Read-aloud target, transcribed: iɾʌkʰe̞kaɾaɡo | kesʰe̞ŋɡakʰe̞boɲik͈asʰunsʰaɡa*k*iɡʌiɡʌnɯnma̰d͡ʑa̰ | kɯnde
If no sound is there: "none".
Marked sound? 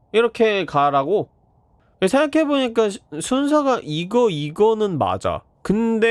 ʔ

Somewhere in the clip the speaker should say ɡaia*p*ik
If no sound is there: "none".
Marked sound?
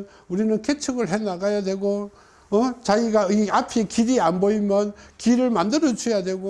pʰ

